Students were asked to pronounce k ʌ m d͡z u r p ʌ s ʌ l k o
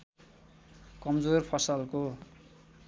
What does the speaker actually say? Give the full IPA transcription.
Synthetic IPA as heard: k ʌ m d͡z o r pʰ ʌ s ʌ l k o